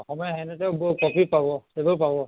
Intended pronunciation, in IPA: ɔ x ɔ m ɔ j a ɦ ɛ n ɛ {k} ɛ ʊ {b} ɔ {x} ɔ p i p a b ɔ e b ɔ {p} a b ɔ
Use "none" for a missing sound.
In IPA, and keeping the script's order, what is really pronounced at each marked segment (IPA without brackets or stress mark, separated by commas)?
t, b, k, p